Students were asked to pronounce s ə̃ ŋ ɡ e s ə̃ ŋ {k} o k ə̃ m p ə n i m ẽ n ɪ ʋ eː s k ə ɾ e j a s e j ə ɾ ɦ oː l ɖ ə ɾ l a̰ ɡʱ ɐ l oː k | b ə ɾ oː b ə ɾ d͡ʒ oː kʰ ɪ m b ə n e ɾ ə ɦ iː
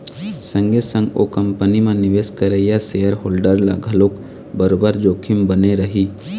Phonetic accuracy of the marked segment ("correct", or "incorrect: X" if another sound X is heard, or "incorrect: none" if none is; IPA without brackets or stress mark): incorrect: ɡ